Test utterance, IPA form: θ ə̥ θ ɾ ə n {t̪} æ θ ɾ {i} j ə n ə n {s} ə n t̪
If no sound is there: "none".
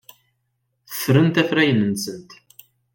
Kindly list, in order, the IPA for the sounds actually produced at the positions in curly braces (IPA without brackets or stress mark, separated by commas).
t̪, æ, s